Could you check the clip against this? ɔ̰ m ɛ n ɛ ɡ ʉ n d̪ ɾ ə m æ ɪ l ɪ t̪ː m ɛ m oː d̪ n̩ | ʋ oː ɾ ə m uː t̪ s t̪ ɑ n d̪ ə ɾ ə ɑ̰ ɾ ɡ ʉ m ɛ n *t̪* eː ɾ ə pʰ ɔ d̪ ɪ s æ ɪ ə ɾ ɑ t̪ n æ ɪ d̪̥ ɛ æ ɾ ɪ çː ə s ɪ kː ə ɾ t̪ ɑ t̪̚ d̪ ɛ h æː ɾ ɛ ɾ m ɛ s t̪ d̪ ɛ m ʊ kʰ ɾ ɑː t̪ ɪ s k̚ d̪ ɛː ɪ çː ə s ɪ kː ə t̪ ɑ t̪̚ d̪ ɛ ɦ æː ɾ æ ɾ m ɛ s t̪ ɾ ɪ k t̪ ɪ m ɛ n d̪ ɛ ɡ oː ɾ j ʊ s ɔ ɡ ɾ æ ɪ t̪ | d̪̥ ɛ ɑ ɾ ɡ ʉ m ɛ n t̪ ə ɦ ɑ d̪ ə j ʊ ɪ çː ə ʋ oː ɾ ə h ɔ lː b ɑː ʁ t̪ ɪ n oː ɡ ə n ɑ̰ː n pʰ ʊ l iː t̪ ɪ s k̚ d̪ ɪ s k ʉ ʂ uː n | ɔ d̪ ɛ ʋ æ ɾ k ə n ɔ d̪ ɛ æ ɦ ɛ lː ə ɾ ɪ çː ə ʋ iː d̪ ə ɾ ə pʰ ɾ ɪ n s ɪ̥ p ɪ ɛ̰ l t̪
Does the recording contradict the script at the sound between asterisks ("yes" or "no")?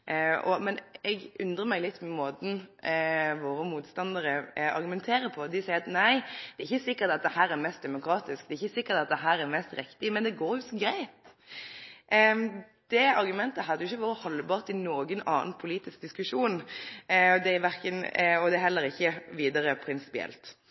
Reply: yes